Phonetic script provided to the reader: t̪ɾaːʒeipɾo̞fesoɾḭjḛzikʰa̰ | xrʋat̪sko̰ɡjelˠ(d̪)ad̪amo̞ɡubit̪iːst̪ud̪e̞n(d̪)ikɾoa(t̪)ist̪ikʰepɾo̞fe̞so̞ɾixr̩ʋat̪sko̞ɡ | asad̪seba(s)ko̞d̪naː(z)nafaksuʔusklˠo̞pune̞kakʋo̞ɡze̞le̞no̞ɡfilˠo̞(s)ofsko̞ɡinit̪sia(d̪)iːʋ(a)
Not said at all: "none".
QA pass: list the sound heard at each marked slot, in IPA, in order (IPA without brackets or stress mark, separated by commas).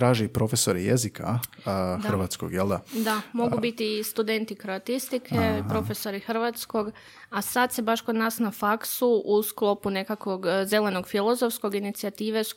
d̪, t̪, t̪, ʃ, s, z, t̪, e